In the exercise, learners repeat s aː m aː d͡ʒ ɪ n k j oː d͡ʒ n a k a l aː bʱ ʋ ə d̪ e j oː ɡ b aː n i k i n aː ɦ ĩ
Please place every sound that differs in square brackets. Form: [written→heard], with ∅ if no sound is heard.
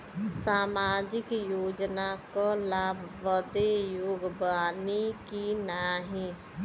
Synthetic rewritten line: s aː m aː d͡ʒ ɪ [n→∅] k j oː d͡ʒ n a k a l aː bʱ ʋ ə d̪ e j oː ɡ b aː n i k i n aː ɦ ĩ